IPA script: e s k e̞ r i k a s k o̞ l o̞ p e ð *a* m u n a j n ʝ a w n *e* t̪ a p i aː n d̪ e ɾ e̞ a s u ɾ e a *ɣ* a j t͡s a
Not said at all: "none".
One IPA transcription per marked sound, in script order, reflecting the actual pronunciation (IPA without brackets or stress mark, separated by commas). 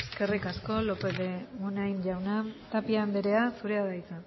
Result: e, a, ð